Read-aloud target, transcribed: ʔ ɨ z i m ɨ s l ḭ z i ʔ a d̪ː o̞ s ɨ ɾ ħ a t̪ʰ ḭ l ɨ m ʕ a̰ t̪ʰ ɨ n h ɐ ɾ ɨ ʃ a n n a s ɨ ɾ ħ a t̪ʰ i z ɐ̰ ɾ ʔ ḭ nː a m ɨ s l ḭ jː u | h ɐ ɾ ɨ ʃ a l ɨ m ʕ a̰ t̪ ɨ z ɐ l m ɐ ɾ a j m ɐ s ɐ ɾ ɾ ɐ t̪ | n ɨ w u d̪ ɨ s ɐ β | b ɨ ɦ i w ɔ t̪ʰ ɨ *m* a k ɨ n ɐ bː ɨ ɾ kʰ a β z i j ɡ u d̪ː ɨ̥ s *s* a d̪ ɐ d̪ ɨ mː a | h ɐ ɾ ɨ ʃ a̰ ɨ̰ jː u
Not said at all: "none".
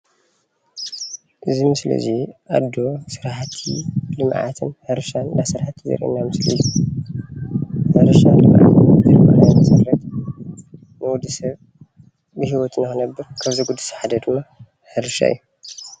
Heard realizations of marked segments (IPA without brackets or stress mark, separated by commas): n, ħ